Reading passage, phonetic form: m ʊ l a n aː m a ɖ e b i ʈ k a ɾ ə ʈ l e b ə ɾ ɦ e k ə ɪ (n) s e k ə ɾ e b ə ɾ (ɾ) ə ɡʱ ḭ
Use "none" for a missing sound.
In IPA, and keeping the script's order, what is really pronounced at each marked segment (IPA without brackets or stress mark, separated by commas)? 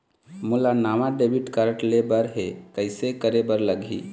none, l